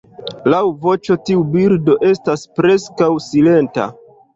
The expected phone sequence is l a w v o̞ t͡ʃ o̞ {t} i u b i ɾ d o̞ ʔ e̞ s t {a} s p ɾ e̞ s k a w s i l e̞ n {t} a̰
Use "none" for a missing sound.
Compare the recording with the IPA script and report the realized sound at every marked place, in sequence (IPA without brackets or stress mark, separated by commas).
t, a, t